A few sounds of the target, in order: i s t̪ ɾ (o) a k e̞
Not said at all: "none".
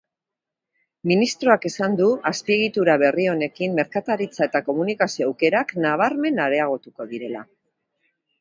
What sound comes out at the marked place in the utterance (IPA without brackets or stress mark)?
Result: o